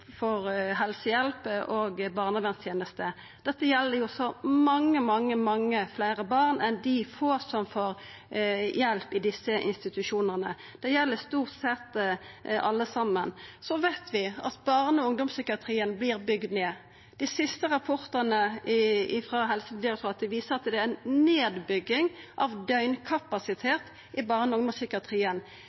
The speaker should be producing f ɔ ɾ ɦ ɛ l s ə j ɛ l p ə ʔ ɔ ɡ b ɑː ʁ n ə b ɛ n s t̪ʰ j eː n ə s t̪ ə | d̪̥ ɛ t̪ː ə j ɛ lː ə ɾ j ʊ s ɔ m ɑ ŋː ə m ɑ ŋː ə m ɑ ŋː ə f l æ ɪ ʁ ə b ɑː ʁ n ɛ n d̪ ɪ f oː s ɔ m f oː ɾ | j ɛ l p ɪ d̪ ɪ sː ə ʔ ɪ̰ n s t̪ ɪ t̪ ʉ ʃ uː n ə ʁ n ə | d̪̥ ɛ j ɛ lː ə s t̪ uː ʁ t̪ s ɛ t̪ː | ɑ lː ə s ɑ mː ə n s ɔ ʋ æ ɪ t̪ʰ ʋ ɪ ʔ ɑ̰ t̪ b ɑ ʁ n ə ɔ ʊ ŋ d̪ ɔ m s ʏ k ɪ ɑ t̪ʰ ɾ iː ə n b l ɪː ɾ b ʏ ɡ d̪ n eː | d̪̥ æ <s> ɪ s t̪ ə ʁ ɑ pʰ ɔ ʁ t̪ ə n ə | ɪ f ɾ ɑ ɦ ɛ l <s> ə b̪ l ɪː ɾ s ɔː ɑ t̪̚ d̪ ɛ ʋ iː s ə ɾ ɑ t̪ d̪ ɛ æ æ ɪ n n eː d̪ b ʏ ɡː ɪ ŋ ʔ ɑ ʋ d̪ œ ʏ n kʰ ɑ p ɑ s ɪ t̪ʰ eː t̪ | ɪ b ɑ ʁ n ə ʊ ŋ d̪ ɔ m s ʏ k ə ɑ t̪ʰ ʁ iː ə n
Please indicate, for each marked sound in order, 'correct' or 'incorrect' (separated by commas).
correct, correct